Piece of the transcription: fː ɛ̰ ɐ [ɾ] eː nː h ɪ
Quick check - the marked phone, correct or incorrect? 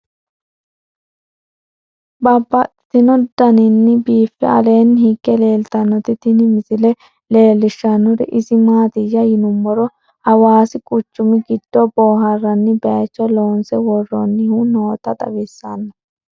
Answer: incorrect